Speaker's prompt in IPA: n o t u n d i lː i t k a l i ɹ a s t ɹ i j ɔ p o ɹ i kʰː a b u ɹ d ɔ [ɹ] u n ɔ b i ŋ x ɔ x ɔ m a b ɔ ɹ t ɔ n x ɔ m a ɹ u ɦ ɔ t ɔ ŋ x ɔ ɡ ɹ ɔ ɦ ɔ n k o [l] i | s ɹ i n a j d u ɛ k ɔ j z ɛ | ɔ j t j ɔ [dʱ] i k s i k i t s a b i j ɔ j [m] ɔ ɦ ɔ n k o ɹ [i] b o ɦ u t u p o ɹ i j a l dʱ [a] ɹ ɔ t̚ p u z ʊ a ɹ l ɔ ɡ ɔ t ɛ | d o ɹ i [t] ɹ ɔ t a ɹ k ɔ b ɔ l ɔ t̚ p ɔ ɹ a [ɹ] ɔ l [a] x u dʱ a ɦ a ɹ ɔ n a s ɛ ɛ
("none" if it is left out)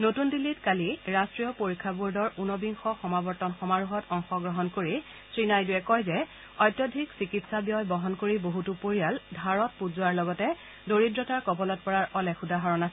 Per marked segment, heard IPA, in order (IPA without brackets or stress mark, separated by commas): ɹ, ɹ, dʱ, b, i, a, d, ɹ, ɛ